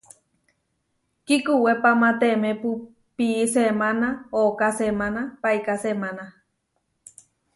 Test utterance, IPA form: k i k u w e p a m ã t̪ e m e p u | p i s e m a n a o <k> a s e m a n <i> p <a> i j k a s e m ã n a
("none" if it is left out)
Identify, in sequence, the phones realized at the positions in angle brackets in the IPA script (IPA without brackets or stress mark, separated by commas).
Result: k, a, a